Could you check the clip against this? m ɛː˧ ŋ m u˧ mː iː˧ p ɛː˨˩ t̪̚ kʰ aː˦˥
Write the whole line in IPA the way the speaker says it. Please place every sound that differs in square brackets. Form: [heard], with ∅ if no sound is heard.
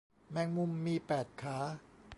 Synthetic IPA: m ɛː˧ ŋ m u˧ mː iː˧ p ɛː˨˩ t̪̚ kʰ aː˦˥